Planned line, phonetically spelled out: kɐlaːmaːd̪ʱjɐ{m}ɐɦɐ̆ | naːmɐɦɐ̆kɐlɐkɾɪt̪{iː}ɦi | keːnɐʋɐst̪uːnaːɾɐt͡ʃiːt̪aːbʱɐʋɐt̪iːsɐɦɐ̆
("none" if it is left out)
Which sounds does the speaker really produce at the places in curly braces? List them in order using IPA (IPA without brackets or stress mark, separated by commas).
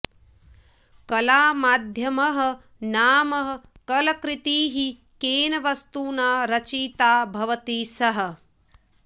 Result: m, iː